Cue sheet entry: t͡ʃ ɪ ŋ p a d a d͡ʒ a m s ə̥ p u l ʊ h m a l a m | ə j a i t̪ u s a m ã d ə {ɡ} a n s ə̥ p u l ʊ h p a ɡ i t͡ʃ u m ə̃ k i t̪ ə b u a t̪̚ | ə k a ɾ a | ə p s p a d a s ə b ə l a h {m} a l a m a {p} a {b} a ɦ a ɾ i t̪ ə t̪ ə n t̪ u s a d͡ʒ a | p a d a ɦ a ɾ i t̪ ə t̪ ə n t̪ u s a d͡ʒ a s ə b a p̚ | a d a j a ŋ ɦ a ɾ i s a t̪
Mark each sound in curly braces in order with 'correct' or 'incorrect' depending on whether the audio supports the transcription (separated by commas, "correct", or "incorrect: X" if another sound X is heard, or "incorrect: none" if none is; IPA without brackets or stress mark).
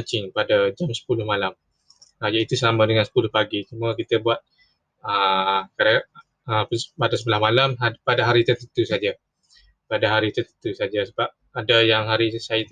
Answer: incorrect: ŋ, correct, correct, incorrect: d